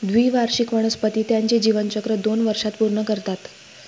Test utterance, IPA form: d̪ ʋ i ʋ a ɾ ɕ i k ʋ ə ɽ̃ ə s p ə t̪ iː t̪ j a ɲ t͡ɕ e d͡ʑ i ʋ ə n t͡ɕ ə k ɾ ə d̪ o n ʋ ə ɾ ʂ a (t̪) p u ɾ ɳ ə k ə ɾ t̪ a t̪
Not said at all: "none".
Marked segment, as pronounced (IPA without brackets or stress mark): t̪